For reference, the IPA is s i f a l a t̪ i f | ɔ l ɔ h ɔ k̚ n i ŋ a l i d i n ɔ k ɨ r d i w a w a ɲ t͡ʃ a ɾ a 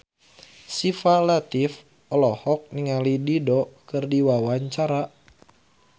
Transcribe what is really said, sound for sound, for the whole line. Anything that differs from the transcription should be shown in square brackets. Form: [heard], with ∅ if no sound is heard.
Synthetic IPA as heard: s i f a l a t̪ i f | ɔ l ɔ h ɔ k̚ n i ŋ a l i d i [d] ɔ k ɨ r d i w a w a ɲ t͡ʃ a ɾ a